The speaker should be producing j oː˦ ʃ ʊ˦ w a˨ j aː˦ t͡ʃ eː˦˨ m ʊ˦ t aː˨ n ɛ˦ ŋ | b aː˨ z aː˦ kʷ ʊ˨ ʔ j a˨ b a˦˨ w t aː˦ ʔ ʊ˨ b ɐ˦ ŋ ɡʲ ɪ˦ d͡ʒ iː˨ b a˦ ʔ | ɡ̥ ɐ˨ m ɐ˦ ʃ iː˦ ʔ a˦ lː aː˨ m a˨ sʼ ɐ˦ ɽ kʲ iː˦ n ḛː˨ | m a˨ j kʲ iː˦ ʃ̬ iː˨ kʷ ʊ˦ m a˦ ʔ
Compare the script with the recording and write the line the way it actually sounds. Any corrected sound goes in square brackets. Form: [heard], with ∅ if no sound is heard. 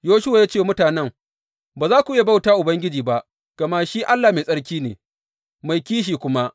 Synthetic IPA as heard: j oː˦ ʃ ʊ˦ w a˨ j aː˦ t͡ʃ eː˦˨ m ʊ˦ t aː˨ n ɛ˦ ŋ | b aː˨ z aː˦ kʷ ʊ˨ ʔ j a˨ b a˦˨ w t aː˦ ʔ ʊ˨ b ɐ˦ ŋ ɡʲ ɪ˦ d͡ʒ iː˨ b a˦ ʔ | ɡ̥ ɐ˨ m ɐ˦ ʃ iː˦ ʔ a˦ lː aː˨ m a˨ sʼ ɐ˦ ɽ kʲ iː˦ n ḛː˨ | m a˨ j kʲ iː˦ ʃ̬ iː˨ kʷ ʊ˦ m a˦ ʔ